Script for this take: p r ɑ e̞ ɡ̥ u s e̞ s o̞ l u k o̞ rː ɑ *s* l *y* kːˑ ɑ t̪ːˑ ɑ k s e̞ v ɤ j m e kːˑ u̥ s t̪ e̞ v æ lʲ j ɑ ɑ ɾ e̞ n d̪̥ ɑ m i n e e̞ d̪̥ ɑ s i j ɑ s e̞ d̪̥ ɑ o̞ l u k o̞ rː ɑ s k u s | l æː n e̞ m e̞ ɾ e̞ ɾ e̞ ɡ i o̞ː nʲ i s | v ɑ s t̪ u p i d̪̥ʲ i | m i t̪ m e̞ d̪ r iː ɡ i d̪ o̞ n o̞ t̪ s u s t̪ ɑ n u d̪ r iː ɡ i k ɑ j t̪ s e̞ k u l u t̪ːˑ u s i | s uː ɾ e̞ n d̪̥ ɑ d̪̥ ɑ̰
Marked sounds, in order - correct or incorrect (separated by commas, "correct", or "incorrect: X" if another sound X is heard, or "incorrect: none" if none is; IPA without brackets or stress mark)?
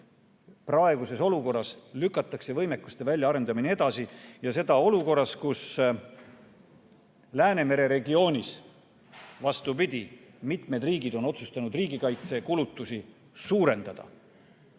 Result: correct, correct